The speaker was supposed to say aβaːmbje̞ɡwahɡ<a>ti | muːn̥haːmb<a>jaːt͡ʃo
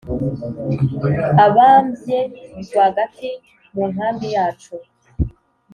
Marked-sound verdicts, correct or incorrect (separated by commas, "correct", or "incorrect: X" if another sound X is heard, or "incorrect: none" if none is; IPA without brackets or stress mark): correct, incorrect: i